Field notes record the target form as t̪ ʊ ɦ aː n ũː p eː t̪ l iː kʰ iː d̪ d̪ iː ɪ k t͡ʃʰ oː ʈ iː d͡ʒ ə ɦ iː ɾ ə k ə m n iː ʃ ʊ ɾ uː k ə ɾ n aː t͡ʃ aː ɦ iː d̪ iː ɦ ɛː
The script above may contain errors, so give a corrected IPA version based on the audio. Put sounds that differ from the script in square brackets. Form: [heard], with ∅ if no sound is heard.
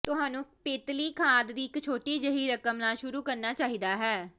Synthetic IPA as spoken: t̪ ʊ ɦ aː n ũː p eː t̪ l iː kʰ [aː] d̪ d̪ iː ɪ k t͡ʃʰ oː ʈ iː d͡ʒ ə ɦ iː ɾ ə k ə m n [aː] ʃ ʊ ɾ uː k ə ɾ n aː t͡ʃ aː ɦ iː d̪ [aː] ɦ ɛː

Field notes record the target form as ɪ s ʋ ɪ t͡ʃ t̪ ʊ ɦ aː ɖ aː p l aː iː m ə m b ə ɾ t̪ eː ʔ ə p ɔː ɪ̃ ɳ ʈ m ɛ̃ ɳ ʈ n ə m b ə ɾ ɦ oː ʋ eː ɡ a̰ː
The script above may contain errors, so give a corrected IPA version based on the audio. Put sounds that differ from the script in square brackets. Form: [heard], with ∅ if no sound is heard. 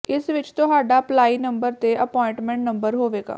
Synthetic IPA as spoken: ɪ s ʋ ɪ t͡ʃ t̪ ʊ ɦ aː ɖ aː p l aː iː [n] ə m b ə ɾ t̪ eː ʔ ə p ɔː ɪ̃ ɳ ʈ m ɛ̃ ɳ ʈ n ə m b ə ɾ ɦ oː ʋ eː ɡ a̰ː

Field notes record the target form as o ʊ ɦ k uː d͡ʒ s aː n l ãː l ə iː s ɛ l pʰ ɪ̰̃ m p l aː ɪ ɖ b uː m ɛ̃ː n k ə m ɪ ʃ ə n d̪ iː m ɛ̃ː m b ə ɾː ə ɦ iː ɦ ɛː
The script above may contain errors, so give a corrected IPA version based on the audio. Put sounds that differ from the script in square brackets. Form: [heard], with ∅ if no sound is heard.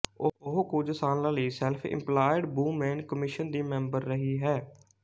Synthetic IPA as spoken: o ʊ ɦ k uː d͡ʒ s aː n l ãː l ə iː s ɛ l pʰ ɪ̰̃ m p l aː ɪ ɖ b uː m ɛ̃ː n k ə m ɪ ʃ ə n d̪ iː m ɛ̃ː m b ə ɾː ə ɦ iː ɦ ɛː

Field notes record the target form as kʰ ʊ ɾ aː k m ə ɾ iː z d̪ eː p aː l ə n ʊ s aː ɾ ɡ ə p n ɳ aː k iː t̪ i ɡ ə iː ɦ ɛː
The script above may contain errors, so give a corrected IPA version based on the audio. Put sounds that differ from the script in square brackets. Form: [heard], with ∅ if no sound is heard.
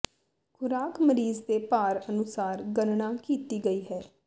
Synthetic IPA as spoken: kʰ ʊ ɾ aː k m ə ɾ iː z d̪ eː p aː [ɾ] ə n ʊ s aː ɾ ɡ ə [∅] n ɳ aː k iː t̪ [iː] ɡ ə iː ɦ ɛː

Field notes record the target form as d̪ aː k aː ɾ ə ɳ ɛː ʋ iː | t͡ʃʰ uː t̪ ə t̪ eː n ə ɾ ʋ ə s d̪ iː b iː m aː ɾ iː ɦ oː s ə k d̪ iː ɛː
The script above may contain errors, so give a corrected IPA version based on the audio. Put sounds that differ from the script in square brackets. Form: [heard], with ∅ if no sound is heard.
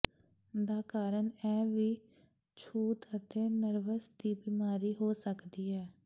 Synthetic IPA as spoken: d̪ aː k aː ɾ ə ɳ ɛː ʋ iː | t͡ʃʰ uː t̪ ə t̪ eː n ə ɾ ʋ ə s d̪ iː b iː m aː ɾ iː ɦ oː s ə k d̪ iː ɛː

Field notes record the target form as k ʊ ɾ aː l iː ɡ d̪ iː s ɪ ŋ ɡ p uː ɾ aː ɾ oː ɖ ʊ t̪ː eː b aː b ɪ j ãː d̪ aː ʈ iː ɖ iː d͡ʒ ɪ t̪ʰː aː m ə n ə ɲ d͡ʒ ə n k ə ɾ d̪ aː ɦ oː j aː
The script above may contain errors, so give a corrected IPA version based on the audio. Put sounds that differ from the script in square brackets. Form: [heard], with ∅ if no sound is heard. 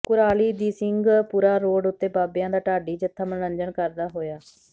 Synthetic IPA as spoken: k ʊ ɾ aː l iː [∅] d̪ iː s ɪ ŋ ɡ p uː ɾ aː ɾ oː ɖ ʊ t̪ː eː b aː b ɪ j ãː d̪ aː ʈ [aː] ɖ iː d͡ʒ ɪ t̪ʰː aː m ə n ə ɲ d͡ʒ ə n k ə ɾ d̪ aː ɦ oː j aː

